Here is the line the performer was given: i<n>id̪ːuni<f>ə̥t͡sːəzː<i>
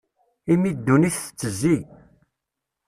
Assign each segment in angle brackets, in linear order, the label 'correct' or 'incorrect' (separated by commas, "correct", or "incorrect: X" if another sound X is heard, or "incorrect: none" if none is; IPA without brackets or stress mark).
incorrect: m, incorrect: θ, correct